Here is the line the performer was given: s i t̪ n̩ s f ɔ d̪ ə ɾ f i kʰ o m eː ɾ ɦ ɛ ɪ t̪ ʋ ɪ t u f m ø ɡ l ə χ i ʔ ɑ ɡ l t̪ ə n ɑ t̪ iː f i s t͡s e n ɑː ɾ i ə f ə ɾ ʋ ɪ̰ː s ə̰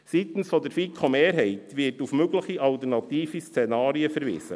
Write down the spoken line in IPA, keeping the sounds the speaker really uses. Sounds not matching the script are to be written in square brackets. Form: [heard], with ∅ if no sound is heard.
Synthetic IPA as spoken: s i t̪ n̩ s f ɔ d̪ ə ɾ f i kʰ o m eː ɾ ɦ ɛ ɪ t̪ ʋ ɪ t u f m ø ɡ l ə χ i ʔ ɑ [∅] l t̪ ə n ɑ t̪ iː f i s t͡s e n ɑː ɾ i ə f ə ɾ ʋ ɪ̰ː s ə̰

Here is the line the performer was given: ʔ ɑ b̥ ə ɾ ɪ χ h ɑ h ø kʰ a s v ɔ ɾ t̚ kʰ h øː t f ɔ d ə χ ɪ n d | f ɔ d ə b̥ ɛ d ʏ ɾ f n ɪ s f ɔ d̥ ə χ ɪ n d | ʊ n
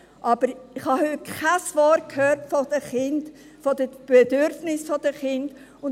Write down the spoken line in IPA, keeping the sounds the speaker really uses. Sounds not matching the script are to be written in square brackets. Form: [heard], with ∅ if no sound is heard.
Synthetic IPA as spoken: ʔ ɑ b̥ ə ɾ ɪ χ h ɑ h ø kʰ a s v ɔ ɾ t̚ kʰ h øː t f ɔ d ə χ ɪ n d | f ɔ d ə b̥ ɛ d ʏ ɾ f n ɪ s f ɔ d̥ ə χ ɪ n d | ʊ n

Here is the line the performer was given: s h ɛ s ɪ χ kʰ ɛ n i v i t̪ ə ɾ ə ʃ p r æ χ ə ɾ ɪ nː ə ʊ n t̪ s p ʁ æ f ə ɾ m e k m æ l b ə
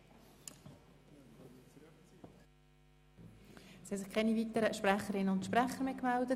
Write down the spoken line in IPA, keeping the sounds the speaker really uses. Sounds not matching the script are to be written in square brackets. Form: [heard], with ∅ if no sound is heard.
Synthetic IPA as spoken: s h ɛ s ɪ χ kʰ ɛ n i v i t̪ ə ɾ ə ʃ p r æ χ ə ɾ ɪ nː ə ʊ n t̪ [ʃ] p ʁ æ [χ] ə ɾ m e k m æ l [d] ə

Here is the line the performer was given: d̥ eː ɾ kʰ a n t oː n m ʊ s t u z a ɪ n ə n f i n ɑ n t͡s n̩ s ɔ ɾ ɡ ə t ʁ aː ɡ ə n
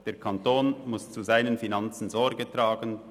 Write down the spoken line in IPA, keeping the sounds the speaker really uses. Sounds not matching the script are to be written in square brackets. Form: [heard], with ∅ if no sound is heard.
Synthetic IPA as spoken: d̥ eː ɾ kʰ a n t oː n m ʊ s [t͡s] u z a ɪ n ə n f i n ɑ n t͡s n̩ [z] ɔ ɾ ɡ ə t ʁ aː ɡ ə n

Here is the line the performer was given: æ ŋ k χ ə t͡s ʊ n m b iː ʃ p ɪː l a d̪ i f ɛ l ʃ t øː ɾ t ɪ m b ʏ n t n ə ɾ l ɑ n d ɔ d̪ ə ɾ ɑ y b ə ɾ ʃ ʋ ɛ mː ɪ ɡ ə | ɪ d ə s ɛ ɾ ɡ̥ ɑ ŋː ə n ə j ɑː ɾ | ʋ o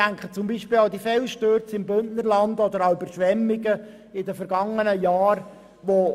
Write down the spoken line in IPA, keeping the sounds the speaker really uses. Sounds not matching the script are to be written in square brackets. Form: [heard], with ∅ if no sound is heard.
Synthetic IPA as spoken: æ ŋ k χ ə t͡s ʊ [∅] m b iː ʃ p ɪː l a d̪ i f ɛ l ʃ t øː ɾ [t͡s] ɪ m b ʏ n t n ə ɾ l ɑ n d ɔ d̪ ə ɾ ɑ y b ə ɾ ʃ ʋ ɛ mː ɪ ɡ ə | ɪ d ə [f] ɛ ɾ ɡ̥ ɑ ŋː ə n ə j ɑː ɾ | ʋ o

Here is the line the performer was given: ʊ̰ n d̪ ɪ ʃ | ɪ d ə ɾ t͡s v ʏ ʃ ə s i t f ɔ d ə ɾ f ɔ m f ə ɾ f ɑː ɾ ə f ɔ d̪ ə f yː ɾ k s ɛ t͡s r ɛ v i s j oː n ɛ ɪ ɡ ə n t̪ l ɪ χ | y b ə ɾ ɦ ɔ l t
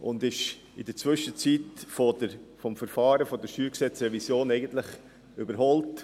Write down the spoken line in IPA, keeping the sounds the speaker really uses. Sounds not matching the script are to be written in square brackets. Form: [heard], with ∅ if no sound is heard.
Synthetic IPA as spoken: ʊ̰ n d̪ ɪ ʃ | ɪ d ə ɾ t͡s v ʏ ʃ ə [t͡s] i t f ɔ d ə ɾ f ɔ m f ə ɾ f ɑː ɾ ə f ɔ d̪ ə [ʃ] yː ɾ k s ɛ t͡s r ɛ v i s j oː n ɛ ɪ ɡ ə n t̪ l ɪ χ | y b ə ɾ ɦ ɔ l t

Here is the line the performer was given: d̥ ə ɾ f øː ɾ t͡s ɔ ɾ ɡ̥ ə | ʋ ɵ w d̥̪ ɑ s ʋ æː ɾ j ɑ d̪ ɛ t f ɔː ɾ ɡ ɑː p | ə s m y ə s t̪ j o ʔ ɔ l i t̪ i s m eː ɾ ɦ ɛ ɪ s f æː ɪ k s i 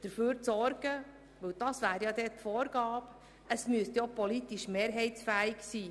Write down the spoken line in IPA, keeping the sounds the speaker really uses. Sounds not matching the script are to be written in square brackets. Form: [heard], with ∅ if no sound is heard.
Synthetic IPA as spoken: d̥ ə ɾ f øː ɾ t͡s ɔ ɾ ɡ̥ ə | ʋ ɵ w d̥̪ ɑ s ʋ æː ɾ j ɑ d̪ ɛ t f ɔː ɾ ɡ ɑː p | ə s m y ə s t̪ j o [p] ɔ l i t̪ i [ʃ] m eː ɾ ɦ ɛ ɪ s f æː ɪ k s [iː]

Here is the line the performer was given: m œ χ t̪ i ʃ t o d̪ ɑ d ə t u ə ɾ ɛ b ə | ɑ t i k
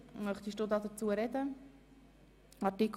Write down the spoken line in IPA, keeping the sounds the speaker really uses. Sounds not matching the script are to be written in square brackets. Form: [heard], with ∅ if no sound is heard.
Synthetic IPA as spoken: m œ χ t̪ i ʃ t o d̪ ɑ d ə [t͡s] u ə ɾ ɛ [d] ə | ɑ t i k

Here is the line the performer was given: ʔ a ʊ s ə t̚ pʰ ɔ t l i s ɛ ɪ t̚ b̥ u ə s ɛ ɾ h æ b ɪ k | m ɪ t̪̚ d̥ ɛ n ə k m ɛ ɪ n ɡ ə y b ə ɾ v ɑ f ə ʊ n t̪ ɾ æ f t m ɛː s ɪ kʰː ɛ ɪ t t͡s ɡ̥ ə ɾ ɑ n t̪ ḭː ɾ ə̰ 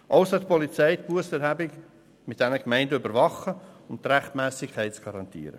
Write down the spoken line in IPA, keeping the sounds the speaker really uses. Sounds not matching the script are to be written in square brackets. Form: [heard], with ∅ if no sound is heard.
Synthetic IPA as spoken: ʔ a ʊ s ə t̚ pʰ ɔ [∅] l i [t͡s] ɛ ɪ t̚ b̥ u ə s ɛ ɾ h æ b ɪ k | m ɪ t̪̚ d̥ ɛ n ə k m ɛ ɪ n [d] ə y b ə ɾ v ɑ [χ] ə ʊ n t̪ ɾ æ [χ] t m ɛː s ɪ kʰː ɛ ɪ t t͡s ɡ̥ [ɑ] ɾ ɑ n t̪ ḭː ɾ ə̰

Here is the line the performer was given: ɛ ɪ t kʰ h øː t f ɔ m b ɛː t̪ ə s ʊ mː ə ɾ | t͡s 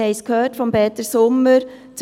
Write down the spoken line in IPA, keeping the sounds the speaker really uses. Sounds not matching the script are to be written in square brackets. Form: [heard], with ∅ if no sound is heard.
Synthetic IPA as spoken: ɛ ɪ [s] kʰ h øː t f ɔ m b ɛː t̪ ə s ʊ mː ə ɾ | t͡s

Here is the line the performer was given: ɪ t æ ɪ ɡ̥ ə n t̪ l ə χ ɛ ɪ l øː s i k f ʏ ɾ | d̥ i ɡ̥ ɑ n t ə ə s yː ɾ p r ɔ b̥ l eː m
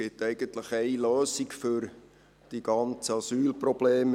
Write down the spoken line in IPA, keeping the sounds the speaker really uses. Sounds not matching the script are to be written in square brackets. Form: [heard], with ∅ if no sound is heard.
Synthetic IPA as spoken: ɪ t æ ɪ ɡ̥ ə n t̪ l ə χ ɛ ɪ l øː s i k f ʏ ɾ | d̥ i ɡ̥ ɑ n [t͡s] ə [ɑ] s yː [l] p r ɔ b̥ l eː m

